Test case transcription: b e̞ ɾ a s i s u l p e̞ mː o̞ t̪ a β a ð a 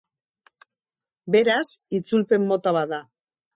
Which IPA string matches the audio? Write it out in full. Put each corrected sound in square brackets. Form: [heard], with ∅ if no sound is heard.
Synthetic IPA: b e̞ ɾ a s i [t͡s] u l p e̞ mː o̞ t̪ a β a ð a